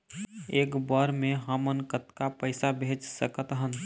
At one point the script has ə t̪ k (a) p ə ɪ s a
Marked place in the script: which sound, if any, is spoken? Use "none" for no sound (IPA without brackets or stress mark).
a